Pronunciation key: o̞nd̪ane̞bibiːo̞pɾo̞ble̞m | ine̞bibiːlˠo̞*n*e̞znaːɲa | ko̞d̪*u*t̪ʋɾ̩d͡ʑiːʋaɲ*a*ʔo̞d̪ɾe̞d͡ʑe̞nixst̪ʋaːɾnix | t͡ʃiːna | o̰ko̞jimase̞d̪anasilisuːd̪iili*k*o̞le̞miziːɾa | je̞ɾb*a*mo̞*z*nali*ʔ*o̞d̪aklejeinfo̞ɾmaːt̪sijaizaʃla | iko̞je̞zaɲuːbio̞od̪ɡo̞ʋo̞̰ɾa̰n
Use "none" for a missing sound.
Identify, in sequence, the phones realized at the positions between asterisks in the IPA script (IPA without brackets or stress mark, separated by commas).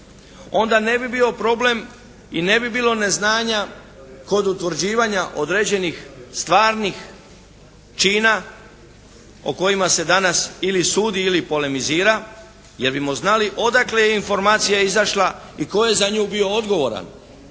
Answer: n, u, a, p, i, z, ʔ